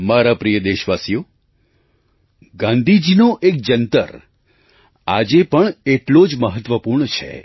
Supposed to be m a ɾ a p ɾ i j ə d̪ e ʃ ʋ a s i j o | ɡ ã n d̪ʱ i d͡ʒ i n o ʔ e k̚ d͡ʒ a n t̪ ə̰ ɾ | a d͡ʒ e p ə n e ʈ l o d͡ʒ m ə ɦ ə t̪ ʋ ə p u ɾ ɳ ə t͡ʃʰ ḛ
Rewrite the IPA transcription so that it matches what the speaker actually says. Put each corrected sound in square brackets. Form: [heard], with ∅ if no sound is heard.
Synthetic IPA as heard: m a ɾ a p ɾ i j ə d̪ e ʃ ʋ a s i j o | ɡ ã n d̪ʱ i d͡ʒ i n o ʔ e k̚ d͡ʒ [ə] n t̪ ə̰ ɾ | a d͡ʒ e p ə [ɳ] e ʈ l o d͡ʒ m ə ɦ ə t̪ ʋ ə p u ɾ ɳ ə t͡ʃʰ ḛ